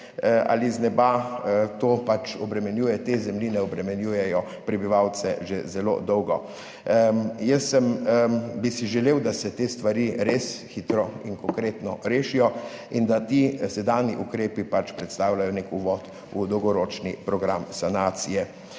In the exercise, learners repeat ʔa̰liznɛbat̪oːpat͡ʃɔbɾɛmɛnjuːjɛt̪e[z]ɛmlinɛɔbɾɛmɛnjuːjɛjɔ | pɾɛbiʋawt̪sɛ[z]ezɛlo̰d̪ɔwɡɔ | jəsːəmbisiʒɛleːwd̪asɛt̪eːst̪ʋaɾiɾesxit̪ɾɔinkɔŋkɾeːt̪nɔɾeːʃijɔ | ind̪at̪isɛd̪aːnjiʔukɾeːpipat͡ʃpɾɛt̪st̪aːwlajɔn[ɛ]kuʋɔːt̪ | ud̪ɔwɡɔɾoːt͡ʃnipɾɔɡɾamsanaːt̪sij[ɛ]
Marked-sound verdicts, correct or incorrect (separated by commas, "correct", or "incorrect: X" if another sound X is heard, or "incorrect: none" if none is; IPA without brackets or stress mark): correct, incorrect: ʒ, incorrect: e, correct